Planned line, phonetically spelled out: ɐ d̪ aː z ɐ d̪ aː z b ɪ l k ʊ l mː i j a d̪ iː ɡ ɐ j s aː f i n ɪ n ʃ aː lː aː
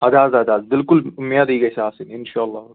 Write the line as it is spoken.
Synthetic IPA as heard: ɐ d̪ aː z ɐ d̪ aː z b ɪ l k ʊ l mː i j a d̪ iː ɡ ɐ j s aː s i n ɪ n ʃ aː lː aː